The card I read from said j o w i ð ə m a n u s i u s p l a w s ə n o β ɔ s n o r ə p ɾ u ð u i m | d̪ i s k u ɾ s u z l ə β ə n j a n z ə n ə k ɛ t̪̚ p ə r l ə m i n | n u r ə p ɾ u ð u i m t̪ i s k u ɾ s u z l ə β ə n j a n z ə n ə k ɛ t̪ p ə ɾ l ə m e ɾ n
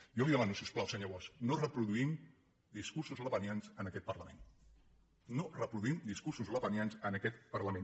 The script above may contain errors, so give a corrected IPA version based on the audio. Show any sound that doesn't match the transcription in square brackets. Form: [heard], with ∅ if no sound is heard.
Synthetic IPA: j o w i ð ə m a n u s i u s p l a w s ə [ɲ] o β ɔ s n o r ə p ɾ u ð u i m | d̪ i s k u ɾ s u z l ə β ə n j a n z ə n ə k ɛ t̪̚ p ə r l ə m [e] n | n [o] r ə p ɾ u ð u i m [d̪] i s k u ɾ s u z l ə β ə n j a n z ə n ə k ɛ t̪ p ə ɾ l ə m e [∅] n